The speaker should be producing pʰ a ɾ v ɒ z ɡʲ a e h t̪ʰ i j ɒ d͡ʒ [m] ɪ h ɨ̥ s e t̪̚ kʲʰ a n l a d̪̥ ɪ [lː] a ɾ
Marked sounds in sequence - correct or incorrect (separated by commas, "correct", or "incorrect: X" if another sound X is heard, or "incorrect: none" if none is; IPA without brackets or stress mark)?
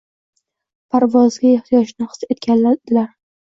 incorrect: n, incorrect: l